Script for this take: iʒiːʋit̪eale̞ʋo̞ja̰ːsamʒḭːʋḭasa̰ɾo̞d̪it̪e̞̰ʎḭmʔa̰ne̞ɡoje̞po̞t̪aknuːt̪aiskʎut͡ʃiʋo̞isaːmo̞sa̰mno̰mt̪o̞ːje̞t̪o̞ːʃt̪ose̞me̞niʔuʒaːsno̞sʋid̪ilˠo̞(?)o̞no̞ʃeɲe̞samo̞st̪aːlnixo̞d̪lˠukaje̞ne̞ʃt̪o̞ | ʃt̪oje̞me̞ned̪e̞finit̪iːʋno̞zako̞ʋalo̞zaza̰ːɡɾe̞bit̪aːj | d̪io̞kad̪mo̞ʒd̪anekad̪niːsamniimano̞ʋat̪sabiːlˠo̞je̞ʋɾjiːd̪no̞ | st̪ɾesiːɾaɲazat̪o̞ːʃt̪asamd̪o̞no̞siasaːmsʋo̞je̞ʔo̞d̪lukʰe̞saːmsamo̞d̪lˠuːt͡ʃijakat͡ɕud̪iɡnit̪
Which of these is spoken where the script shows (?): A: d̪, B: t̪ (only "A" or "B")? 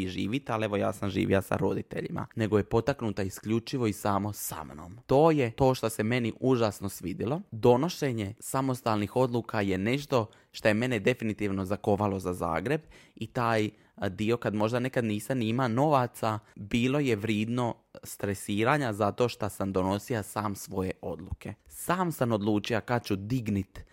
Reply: A